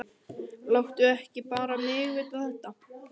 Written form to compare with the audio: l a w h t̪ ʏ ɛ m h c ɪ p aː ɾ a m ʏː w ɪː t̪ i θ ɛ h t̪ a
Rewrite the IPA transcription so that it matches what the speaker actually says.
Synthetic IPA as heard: l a w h t̪ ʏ ɛ h c ɪ p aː ɾ a m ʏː ɣ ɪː t̪ a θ ɛ h t̪ a

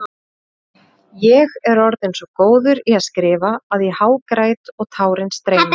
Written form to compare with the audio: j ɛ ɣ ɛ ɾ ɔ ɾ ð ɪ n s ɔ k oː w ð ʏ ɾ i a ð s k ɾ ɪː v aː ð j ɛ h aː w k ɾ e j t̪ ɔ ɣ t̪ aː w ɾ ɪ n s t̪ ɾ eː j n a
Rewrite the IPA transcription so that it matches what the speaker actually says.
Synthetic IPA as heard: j ɛ ɣ ɛ ɾ ɔ ɾ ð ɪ n s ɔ k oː w ð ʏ ɾ i a ð s k ɾ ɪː v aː ð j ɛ h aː w k ɾ a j t̪ ɔ ɣ t̪ʰ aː w ɾ ɪ n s t̪ ɾ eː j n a

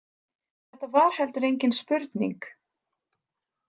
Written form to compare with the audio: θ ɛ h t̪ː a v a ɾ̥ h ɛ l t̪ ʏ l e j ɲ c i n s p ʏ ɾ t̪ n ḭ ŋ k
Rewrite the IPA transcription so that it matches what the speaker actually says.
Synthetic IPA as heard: θ ɛ h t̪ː a v a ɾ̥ h ɛ l t̪ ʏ ɾ e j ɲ c ɪ n s p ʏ ɾ t̪ n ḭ ŋ k

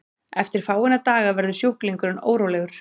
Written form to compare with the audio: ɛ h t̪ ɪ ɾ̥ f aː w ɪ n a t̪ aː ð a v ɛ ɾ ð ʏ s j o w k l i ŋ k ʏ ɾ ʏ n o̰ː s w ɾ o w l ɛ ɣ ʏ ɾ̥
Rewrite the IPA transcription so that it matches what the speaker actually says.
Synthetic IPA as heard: ɛ f t̪ ɪ ɾ̥ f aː w ɪ n a t̪ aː ɣ a v ɛ ɾ ð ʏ s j o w k l i ŋ k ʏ ɾ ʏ n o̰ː w ɾ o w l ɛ ɣ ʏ ɾ̥

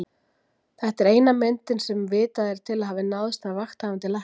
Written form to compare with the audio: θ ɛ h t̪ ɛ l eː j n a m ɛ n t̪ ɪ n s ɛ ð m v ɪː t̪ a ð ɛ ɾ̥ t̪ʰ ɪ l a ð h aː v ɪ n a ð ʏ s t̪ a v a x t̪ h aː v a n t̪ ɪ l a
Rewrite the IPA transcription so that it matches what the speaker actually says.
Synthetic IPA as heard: θ ɛ h t̪ ɛ ɾ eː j n a m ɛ n t̪ ɪ n s ɛ m v ɪː t̪ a ð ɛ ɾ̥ t̪ʰ ɪ l a ð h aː v ɪ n a ð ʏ s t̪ a v a x t̪ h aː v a n t̪ ɪ l a

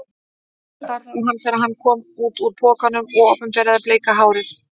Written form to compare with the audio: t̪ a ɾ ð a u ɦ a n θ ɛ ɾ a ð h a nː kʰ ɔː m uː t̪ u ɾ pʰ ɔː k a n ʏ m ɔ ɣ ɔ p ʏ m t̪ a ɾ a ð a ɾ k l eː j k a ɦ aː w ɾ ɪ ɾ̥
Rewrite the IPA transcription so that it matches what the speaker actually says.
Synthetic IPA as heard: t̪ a ɾ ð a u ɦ a n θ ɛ ɾ a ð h a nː kʰ ɔː m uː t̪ u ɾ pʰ ɔː k a n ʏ m ɔ ɣ ɔ p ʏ m t̪ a ɾ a ð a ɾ p l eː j k a ɦ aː w ɾ ɪ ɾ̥

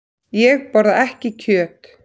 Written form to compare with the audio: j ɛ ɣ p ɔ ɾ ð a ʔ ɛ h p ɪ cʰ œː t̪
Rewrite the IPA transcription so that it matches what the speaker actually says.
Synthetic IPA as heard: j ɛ ɣ p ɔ ɾ ð a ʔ ɛ h c ɪ cʰ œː t̪

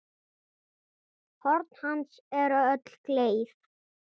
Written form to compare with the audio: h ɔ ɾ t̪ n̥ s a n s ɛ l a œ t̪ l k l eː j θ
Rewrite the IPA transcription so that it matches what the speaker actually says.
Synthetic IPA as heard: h ɔ ɾ t̪ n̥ h a n s ɛ ɾ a œ t̪ l k l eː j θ

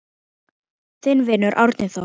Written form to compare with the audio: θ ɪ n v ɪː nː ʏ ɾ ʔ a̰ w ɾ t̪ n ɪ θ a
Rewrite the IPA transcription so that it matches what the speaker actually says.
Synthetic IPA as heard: θ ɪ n v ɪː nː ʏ ɾ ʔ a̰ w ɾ t̪ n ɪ θ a

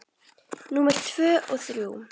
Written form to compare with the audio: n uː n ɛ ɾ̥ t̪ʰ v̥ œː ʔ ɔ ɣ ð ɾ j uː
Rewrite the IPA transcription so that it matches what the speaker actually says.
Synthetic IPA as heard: n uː m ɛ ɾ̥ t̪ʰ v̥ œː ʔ ɔ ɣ θ ɾ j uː

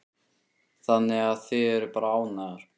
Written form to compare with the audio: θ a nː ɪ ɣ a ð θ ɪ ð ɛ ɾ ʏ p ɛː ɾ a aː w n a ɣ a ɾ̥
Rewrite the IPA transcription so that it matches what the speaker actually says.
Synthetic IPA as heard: θ a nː ɪ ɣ a ð θ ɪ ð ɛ ɾ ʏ p aː ɾ a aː w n a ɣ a ɾ̥

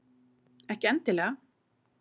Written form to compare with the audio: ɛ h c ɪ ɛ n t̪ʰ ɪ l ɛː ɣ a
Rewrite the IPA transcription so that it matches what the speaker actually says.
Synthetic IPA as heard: ɛ h c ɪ ɛ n t̪ ɪ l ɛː ɣ a

